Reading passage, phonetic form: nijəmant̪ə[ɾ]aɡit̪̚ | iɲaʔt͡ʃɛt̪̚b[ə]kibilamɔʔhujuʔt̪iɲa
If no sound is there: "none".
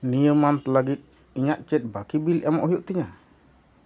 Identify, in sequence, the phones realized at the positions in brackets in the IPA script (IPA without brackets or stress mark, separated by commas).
l, a